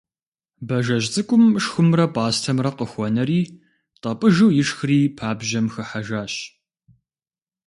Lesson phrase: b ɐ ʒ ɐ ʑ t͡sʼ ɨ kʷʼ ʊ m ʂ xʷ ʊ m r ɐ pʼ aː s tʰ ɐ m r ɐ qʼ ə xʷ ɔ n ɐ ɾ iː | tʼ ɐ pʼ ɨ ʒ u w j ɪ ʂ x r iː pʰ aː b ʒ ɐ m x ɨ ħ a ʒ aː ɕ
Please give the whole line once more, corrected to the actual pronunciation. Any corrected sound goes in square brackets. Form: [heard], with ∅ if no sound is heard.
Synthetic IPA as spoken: b ɐ ʒ ɐ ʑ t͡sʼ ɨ kʷʼ ʊ m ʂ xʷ ʊ m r ɐ pʼ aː s tʰ ɐ m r ɐ [q] ə xʷ ɔ n ɐ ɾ iː | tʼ ɐ pʼ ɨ ʒ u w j ɪ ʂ x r iː pʰ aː b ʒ ɐ m x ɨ ħ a ʒ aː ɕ